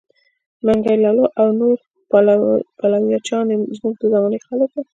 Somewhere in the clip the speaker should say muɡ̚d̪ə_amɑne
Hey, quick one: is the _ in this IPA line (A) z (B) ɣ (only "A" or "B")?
A